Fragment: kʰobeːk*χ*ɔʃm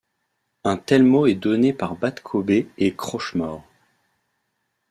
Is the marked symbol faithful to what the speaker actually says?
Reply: yes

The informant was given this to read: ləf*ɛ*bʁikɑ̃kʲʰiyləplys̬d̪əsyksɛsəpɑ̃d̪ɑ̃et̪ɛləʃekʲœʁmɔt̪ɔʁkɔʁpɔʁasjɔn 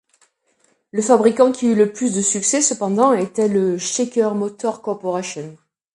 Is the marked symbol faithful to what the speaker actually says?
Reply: no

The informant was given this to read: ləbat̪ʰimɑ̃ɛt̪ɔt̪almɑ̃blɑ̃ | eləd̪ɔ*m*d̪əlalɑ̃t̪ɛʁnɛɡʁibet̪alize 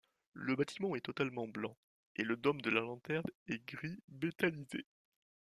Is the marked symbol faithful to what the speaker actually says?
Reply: yes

